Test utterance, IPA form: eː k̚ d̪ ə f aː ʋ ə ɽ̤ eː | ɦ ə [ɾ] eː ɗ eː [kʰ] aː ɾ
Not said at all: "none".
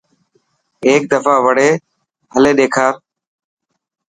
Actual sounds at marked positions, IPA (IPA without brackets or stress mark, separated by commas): l, kʰ